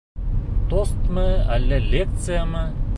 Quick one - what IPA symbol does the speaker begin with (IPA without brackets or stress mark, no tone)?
t̪